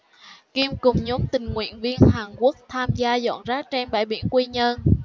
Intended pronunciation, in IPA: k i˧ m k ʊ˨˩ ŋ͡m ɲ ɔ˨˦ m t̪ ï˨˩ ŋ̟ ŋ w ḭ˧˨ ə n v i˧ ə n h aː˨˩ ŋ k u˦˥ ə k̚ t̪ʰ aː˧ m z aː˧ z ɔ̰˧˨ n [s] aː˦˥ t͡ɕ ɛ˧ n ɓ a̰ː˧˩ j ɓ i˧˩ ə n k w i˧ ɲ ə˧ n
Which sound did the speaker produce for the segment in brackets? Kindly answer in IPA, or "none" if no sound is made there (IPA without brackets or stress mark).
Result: z